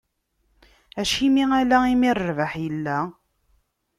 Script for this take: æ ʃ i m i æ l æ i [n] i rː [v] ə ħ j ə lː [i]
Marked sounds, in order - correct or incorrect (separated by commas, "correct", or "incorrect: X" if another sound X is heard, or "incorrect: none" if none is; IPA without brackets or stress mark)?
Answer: incorrect: m, correct, incorrect: æ